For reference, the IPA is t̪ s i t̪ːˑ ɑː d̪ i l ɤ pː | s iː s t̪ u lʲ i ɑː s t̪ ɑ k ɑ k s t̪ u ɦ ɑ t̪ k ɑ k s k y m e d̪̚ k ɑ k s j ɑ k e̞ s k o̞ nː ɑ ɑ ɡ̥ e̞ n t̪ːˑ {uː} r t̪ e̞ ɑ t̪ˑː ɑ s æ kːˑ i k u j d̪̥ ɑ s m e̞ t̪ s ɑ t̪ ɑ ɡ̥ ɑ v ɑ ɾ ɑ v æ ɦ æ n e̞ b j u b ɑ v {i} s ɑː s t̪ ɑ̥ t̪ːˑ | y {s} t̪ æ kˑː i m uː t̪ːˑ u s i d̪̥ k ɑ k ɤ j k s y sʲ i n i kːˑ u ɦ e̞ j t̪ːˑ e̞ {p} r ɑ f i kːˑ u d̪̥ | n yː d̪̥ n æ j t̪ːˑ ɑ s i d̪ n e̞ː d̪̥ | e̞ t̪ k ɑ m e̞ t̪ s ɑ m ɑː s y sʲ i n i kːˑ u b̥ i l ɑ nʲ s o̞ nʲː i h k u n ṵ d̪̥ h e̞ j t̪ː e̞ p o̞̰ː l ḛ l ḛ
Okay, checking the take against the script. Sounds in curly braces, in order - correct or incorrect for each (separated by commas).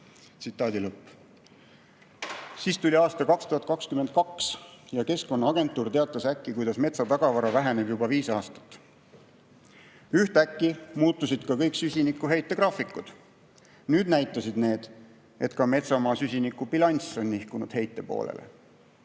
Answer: correct, incorrect, incorrect, incorrect